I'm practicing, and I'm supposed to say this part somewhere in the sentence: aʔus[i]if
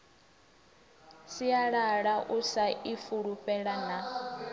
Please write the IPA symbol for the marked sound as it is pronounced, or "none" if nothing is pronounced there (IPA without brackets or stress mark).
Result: a